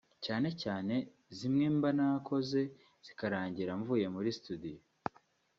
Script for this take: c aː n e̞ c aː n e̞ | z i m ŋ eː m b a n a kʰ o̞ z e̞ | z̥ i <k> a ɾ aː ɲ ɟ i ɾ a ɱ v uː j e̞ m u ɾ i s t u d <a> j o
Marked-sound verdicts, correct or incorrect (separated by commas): correct, incorrect